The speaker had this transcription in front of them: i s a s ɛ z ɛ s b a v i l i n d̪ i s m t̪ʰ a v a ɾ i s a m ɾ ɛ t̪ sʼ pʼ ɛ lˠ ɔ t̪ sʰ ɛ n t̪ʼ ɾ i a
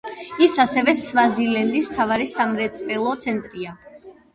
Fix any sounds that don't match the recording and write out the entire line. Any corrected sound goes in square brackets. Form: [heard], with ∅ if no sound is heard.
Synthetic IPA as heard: i s a s ɛ [v] ɛ s [v] a [z] i l [ɛ] n d̪ i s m t̪ʰ a v a ɾ i s a m ɾ ɛ t̪ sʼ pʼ ɛ lˠ ɔ t̪ sʰ ɛ n t̪ʼ ɾ i a